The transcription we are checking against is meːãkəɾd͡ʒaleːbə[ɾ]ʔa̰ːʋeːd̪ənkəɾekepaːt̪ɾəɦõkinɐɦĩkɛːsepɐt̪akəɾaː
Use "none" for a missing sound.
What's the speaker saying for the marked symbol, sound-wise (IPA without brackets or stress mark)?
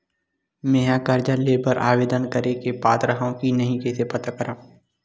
ɾ